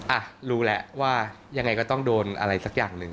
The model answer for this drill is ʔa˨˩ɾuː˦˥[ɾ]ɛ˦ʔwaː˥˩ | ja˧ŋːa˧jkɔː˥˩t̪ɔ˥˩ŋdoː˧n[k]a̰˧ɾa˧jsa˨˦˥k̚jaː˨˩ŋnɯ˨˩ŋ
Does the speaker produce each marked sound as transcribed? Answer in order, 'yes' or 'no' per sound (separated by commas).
no, no